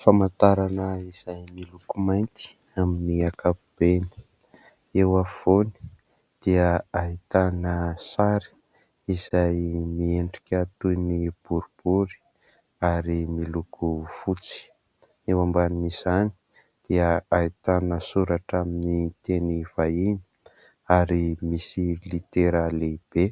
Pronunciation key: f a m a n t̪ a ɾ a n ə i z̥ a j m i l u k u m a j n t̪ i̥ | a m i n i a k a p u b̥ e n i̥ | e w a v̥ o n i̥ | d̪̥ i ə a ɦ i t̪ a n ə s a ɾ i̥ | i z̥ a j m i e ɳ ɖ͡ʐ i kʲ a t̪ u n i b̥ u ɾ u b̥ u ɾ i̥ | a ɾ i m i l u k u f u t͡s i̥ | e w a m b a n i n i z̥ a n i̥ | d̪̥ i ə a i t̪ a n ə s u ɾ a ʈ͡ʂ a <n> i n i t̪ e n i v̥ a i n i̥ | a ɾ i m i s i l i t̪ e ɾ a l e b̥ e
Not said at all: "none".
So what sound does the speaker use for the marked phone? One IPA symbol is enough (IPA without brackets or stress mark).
m